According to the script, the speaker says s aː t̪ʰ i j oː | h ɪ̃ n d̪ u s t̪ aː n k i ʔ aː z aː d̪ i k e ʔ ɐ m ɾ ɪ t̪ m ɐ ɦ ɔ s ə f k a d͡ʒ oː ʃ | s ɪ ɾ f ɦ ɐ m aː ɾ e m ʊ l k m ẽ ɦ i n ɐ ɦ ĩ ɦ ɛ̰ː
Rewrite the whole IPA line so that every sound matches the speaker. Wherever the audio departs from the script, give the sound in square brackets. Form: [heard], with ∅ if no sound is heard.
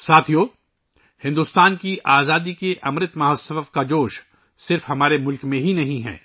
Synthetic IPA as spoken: s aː t̪ʰ i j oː | h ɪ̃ n d̪ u s t̪ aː n k i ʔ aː z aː d̪ i k e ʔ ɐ m ɾ ɪ t̪ m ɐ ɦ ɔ s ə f k a d͡ʒ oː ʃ | s ɪ ɾ f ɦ ɐ m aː ɾ e m ʊ l k m ẽ ɦ i n ɐ ɦ ĩ ɦ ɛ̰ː